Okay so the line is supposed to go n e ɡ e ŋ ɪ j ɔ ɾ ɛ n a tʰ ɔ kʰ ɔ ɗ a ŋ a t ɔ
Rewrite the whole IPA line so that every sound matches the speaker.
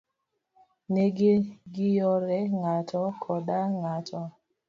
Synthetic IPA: n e ɡ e ɡ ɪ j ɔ ɾ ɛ ŋ a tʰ ɔ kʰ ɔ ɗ a ŋ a t ɔ